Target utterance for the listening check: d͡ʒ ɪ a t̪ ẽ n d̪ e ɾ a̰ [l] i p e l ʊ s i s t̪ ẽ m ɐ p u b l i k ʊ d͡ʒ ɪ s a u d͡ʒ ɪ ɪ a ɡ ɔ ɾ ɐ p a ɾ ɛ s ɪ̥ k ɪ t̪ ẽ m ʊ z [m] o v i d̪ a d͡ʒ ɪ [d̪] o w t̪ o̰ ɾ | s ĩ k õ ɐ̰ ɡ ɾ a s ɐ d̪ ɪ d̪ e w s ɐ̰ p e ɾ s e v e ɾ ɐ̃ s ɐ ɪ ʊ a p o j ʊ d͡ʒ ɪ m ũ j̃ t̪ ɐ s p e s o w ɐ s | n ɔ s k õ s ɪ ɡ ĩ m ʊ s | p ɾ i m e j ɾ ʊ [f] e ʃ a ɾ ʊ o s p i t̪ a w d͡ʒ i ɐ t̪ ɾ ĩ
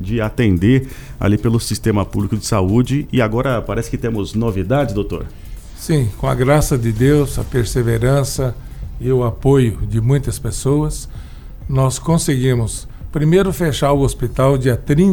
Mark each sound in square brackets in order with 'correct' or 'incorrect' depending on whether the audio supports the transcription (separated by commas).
correct, incorrect, correct, correct